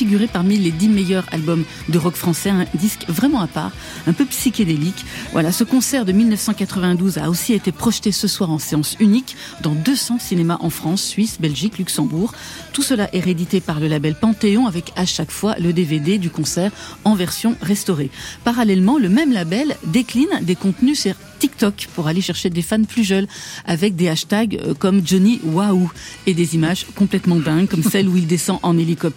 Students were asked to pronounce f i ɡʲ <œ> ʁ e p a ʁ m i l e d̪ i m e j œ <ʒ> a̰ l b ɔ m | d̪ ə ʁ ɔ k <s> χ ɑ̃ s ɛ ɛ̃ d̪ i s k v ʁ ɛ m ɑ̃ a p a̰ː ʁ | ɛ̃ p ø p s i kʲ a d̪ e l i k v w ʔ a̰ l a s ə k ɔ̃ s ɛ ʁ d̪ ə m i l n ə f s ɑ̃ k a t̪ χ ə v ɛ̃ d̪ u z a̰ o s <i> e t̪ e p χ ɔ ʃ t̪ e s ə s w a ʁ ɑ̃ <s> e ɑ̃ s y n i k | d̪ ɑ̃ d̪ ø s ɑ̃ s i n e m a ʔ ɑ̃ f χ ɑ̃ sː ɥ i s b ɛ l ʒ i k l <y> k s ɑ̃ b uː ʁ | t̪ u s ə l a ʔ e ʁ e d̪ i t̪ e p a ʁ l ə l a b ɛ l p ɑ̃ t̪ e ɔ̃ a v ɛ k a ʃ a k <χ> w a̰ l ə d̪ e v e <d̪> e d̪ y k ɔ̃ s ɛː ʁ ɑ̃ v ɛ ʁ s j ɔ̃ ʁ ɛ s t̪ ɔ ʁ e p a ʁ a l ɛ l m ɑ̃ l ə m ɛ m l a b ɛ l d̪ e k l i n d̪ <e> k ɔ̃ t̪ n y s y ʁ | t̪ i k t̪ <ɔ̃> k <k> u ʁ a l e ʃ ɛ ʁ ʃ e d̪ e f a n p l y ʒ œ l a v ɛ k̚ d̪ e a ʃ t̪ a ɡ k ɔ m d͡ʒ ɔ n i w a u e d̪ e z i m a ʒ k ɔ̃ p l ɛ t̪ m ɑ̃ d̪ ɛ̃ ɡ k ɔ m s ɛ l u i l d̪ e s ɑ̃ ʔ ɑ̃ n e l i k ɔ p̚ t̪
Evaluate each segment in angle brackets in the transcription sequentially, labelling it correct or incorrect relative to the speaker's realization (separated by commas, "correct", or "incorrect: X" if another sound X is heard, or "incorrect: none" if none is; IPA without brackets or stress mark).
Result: incorrect: y, incorrect: ʁ, incorrect: f, correct, correct, correct, incorrect: f, correct, correct, incorrect: ɔ, incorrect: p